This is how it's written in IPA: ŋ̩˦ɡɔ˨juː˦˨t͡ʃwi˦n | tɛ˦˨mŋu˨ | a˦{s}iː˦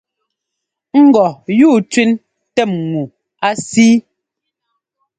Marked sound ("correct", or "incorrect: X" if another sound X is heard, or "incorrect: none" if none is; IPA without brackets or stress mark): correct